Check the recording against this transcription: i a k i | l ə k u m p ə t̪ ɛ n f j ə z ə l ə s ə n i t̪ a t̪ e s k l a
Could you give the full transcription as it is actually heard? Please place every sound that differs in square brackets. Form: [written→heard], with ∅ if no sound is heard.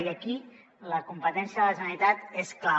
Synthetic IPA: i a k i | l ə k u m p ə t̪ ɛ n [f→s] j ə [z→ð] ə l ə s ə n i t̪ a t̪ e s k l a